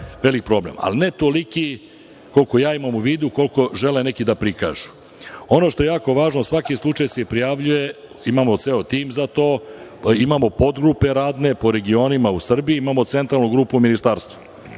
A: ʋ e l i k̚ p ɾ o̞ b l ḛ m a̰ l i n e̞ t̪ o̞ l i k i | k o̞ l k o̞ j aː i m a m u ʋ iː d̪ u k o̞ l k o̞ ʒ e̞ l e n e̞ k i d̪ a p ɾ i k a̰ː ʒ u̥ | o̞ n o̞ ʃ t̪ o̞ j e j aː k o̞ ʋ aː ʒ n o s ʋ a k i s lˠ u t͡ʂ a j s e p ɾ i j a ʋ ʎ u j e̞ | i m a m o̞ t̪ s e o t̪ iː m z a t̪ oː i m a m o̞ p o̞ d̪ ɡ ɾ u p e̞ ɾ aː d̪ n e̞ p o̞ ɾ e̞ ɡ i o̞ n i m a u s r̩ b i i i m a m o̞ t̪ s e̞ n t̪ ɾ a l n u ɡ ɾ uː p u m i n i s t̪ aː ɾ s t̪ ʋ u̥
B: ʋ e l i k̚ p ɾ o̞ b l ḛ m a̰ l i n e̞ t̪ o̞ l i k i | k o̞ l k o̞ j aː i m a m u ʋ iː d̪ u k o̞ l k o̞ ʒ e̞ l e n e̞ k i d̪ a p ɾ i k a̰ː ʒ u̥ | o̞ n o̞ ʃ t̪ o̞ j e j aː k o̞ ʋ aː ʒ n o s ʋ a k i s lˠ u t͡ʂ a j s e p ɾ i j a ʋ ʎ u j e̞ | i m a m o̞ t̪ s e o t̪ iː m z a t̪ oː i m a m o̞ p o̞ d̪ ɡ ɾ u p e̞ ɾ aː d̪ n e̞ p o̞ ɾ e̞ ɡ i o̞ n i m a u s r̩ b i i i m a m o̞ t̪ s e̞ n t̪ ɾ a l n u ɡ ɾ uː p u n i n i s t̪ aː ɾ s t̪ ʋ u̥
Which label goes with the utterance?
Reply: A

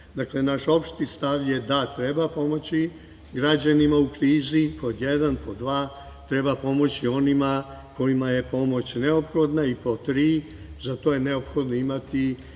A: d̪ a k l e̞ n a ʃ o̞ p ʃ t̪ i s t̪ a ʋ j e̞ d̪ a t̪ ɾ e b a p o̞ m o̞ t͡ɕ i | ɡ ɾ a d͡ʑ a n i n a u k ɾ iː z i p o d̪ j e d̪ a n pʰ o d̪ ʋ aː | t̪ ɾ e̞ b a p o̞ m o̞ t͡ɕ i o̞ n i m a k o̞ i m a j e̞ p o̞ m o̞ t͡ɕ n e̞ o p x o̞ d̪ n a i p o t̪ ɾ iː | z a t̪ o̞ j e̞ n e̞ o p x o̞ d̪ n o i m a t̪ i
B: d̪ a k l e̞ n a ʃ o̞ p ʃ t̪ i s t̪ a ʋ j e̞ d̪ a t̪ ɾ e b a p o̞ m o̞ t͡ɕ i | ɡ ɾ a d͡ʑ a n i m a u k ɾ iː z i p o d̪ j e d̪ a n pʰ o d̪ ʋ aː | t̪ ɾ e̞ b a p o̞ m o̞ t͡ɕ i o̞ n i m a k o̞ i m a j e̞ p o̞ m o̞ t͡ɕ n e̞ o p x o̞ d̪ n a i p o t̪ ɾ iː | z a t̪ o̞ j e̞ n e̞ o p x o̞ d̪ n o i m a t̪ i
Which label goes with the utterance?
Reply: B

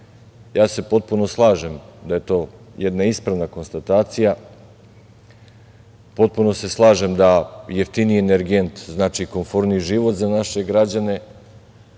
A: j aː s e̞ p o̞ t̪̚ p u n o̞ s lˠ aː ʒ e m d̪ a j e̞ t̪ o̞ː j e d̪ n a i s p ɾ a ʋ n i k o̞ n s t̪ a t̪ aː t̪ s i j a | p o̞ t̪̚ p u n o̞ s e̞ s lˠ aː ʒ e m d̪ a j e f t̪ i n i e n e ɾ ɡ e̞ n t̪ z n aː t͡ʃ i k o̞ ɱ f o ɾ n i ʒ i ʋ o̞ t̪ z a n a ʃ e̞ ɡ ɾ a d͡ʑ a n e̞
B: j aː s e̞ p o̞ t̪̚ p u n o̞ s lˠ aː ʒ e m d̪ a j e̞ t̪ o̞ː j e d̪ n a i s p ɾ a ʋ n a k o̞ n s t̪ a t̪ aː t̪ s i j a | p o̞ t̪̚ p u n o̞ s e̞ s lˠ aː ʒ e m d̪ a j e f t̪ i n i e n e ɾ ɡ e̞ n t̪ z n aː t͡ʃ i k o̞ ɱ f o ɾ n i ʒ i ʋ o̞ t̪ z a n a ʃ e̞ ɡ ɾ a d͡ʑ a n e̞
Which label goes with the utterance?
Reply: B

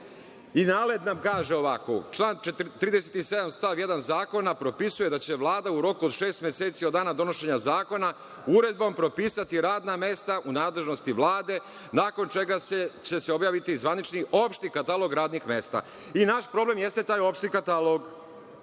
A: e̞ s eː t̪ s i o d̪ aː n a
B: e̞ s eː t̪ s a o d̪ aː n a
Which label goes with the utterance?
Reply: A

